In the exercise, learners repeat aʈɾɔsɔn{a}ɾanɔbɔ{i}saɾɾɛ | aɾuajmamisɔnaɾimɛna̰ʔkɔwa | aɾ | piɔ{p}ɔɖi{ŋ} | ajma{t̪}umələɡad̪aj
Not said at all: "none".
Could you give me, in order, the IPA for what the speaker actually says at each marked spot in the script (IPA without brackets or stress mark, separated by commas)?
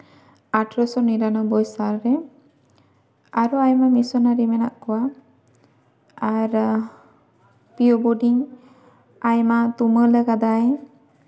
i, j, b, ŋ, t̪